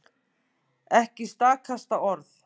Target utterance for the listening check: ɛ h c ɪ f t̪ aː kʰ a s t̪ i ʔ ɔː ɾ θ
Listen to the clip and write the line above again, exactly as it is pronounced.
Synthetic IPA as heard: ɛ h c ɪ s t̪ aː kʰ a s t̪ a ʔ ɔ ɾ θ